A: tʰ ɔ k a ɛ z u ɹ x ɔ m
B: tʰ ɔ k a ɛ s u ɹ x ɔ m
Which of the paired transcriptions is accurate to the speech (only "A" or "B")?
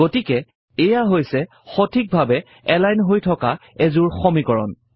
A